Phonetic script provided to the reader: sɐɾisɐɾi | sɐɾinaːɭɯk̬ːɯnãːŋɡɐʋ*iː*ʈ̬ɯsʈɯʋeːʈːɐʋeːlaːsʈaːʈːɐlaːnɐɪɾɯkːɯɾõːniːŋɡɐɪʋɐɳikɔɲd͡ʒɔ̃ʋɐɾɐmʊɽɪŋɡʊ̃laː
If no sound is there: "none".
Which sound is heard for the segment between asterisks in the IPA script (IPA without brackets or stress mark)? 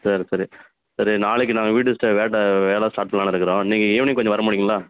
iː